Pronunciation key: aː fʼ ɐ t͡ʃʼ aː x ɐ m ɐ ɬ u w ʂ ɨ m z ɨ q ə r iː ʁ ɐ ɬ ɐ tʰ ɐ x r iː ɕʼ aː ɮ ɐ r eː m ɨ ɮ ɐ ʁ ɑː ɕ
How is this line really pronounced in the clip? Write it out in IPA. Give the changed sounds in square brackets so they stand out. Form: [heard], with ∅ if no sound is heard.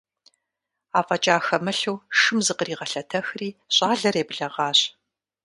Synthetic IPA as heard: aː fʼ ɐ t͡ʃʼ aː x ɐ m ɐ ɬ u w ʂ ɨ m z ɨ q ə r iː ʁ ɐ ɬ ɐ tʰ ɐ x r iː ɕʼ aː ɮ ɐ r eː [b] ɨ ɮ ɐ ʁ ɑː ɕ